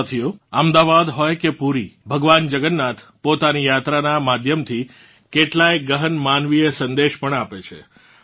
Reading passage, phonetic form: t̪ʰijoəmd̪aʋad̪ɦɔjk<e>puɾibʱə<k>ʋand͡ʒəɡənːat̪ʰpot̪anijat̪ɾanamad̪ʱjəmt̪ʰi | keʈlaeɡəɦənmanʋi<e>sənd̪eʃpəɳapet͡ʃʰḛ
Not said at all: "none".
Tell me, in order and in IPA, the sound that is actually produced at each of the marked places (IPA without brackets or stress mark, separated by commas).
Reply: e, ɡ, e